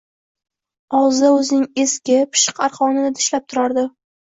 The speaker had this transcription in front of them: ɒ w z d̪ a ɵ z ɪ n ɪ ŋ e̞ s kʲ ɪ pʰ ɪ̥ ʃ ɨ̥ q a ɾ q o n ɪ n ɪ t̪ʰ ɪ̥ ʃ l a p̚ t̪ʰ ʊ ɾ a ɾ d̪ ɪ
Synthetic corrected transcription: ɒ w z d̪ a ɵ z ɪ n ɪ ŋ e̞ s kʲ ɪ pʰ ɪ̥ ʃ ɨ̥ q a ɾ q ɒ n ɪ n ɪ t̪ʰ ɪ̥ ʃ l a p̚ t̪ʰ ʊ ɾ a ɾ d̪ ɪ